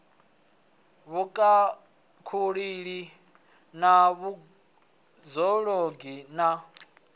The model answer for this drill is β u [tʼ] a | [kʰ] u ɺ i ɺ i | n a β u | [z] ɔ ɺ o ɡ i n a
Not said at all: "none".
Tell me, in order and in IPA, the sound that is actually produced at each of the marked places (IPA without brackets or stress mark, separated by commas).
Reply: kʼ, kʰ, z